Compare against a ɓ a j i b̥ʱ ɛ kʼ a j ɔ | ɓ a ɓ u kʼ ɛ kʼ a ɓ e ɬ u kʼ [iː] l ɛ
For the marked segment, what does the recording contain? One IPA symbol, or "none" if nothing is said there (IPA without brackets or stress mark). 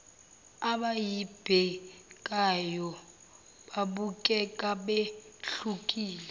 iː